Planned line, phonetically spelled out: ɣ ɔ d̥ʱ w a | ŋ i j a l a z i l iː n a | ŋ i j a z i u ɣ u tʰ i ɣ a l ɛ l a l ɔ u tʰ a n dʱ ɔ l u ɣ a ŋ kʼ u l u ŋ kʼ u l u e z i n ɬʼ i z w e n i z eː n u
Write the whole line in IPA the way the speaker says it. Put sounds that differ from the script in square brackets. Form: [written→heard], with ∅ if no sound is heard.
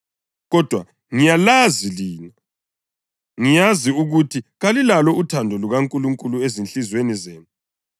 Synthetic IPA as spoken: ɣ ɔ d̥ʱ w a | ŋ i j a l a z i l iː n a | ŋ i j a z i u ɣ u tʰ i ɣ a l [ɛ→i] l a l ɔ u tʰ a n dʱ ɔ l u ɣ a ŋ kʼ u l u ŋ kʼ u l u e z i n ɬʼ i z w e n i z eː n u

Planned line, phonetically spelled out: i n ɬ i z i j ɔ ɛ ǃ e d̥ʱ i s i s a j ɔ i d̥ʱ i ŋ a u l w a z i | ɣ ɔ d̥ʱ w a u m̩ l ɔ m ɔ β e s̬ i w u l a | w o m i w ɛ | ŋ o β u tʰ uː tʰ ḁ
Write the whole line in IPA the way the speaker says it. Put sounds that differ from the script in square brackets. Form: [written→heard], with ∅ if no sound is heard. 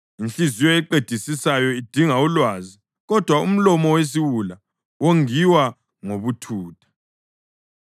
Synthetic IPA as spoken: i n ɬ i z i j ɔ ɛ ǃ e d̥ʱ i s i s a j ɔ i d̥ʱ i ŋ a u l w a z i | ɣ ɔ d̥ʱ w a u m̩ l ɔ m ɔ [β→w] e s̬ i w u l a | w o [m→ŋ] i w [ɛ→a] | ŋ o β u tʰ uː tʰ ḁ

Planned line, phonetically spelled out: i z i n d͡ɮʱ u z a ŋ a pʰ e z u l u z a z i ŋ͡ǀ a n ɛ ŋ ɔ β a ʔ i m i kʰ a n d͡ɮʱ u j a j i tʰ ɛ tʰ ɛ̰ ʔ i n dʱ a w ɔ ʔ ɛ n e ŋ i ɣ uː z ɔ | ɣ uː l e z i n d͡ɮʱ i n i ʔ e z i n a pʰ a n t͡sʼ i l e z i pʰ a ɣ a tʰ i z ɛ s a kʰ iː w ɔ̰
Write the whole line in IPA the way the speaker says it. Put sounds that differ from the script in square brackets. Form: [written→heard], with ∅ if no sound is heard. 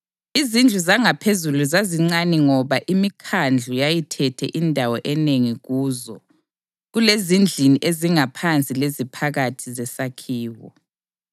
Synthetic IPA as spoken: i z i n d͡ɮʱ u z a ŋ a pʰ e z u l u z a z i ŋ͡ǀ a n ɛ ŋ ɔ β a ʔ i m i kʰ a n d͡ɮʱ u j a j i tʰ ɛ tʰ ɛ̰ ʔ i n dʱ a w ɔ ʔ ɛ n e ŋ i ɣ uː z ɔ | ɣ [uː→u] l e z i n d͡ɮʱ i n i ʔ e z i [n→ŋ] a pʰ a n t͡sʼ i l e z i pʰ a ɣ a tʰ i z ɛ s a kʰ iː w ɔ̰

